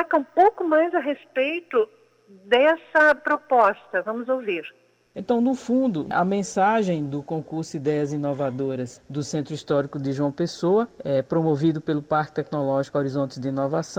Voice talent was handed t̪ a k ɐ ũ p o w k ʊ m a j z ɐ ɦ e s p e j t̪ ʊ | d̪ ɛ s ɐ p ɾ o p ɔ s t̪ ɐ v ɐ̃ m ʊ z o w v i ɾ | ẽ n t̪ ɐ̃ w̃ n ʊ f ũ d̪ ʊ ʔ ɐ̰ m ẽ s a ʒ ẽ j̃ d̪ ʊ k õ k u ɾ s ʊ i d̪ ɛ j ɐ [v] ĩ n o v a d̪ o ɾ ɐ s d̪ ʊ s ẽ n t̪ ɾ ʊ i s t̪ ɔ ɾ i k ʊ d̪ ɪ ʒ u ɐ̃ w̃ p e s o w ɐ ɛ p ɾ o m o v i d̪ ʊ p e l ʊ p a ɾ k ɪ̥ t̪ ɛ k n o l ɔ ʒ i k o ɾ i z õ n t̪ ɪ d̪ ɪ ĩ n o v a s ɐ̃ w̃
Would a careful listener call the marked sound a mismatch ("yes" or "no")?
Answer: yes